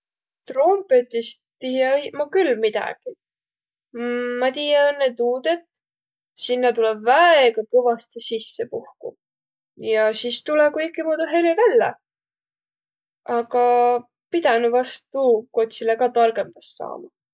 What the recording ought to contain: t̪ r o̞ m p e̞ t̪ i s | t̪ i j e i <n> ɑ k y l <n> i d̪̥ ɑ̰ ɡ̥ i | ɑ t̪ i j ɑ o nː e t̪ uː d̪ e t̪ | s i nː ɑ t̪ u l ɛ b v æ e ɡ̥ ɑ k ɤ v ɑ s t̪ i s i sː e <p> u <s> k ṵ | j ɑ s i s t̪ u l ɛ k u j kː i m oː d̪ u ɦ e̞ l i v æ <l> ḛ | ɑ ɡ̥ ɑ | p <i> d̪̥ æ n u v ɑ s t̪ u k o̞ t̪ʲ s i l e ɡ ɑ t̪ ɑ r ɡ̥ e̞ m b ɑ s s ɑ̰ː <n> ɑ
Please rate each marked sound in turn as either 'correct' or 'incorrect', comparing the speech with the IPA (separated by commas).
incorrect, incorrect, correct, incorrect, incorrect, correct, incorrect